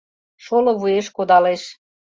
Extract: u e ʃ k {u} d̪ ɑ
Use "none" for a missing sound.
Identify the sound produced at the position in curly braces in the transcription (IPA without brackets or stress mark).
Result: o